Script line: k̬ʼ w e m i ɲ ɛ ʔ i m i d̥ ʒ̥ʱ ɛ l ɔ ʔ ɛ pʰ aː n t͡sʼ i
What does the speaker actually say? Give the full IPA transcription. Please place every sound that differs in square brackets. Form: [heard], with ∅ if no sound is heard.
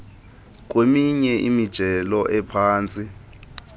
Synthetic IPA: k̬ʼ w e m i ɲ ɛ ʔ i m i d̥ ʒ̥ʱ ɛ l ɔ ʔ ɛ pʰ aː n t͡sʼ i